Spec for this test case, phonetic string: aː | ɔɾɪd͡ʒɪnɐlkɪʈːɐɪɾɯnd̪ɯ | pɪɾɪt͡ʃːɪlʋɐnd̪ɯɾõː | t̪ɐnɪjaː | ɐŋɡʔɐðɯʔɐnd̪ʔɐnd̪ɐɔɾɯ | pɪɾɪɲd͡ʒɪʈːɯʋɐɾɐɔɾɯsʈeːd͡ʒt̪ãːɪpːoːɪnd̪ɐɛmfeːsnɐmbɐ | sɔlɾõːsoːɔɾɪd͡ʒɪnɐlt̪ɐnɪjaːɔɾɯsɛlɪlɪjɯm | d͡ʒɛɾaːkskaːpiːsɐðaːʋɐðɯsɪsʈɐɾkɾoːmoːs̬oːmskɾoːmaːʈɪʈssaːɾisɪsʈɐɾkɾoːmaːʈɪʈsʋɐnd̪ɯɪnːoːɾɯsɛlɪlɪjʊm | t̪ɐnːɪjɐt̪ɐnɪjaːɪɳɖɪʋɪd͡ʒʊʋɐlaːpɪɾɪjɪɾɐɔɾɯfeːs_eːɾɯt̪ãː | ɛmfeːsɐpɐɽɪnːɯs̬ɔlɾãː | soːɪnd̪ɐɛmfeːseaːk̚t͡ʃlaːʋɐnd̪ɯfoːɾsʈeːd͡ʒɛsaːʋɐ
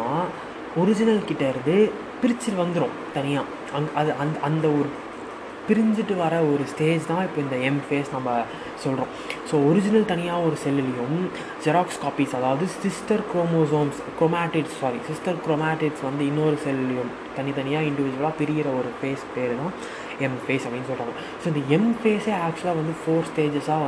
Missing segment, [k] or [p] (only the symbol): p